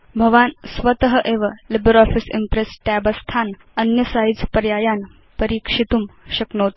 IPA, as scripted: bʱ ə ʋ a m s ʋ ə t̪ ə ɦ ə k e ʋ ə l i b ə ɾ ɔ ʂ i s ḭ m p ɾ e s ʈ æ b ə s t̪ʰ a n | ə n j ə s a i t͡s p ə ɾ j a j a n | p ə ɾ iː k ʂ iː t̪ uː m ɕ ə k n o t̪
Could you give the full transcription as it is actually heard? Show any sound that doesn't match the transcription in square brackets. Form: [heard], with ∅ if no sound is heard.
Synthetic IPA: bʱ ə ʋ a [n] s ʋ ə t̪ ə ɦ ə [ʔ] e ʋ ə l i b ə ɾ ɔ [f] i s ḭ m p ɾ e s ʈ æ b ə s t̪ʰ a n | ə n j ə s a i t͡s p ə ɾ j a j a n | p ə ɾ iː k ʂ [i] t̪ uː m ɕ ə k n o t̪